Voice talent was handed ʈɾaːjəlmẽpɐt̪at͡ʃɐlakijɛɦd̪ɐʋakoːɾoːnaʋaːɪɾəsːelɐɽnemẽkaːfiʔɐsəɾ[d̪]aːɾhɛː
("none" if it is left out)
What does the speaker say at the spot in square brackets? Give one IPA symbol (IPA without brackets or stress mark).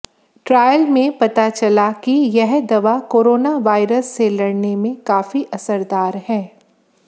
d̪